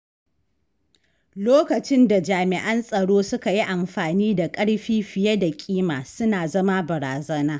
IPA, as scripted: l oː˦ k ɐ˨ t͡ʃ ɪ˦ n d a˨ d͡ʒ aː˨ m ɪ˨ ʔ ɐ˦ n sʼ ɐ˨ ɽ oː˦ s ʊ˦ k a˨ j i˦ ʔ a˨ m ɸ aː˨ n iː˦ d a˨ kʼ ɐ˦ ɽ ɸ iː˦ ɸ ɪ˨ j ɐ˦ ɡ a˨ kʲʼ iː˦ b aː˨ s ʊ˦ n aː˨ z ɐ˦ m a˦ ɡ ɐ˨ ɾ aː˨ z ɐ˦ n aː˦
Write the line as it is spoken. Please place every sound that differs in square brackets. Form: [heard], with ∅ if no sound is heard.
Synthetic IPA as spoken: l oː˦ k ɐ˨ t͡ʃ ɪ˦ n d a˨ d͡ʒ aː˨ m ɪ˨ ʔ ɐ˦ n sʼ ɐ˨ ɽ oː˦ s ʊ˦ k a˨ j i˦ ʔ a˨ m ɸ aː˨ n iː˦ d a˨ kʼ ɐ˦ ɽ ɸ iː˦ ɸ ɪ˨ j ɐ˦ [d] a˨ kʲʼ iː˦ [m] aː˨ s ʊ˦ n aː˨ z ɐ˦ m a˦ [b] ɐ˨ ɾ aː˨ z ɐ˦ n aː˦

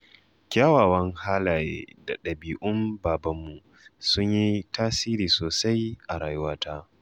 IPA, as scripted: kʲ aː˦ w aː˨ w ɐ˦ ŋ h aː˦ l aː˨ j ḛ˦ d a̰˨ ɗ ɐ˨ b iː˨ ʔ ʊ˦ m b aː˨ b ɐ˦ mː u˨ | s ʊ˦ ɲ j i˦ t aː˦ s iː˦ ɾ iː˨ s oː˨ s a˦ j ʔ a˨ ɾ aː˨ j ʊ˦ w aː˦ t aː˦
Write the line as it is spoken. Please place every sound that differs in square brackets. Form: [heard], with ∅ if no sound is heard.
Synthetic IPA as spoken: kʲ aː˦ w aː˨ w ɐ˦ ŋ h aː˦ l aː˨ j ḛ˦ d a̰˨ ɗ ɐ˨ b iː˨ ʔ ʊ˦ m b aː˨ b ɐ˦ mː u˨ | s ʊ˦ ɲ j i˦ t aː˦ s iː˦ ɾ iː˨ s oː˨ s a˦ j ʔ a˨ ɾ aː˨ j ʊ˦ w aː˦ t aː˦

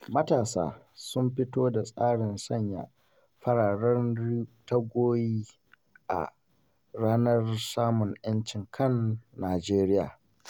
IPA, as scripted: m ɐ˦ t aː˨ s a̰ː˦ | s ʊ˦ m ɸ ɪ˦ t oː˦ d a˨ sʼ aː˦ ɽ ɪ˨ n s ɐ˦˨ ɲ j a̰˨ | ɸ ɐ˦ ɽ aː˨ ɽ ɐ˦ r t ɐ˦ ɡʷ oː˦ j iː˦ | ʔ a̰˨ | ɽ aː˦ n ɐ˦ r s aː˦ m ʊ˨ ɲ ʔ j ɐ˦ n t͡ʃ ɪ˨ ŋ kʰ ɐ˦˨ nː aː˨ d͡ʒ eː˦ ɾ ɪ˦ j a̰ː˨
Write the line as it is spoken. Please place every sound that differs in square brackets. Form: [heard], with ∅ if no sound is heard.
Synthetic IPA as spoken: m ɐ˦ t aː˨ s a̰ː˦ | s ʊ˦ m ɸ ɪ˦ t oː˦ d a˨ sʼ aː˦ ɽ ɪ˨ n s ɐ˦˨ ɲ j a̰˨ | ɸ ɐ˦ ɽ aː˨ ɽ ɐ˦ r t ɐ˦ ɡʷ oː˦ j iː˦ | ʔ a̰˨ | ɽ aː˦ n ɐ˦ r s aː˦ m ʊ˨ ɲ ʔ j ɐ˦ n t͡ʃ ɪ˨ ŋ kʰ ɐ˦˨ nː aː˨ d͡ʒ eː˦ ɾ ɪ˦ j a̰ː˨

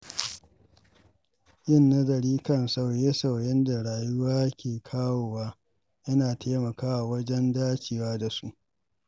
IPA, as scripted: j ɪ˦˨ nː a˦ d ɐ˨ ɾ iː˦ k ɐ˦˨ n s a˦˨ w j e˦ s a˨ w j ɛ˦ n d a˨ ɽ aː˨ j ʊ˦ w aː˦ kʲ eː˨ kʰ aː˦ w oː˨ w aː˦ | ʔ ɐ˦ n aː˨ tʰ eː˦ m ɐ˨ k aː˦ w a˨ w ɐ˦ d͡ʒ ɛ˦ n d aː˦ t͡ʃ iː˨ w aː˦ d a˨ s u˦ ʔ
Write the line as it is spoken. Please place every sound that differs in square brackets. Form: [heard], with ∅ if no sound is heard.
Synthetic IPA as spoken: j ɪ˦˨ nː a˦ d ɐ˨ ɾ iː˦ k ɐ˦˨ n s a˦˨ w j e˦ s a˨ w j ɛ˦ n d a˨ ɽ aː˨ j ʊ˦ w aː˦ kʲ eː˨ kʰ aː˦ w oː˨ w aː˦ | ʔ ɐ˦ n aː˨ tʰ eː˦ m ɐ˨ k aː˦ w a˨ w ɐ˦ d͡ʒ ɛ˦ n d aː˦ t͡ʃ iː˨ w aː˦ d a˨ s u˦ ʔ

